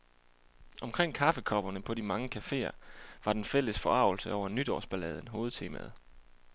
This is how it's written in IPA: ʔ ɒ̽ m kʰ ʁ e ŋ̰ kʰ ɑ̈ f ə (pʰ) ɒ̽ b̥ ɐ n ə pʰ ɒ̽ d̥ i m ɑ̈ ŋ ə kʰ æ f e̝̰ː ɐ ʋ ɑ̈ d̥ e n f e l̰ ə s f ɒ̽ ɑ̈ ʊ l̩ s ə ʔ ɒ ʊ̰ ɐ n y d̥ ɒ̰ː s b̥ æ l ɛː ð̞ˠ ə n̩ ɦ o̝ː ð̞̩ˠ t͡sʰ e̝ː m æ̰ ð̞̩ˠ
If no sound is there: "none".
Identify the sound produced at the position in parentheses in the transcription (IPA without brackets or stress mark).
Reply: kʰ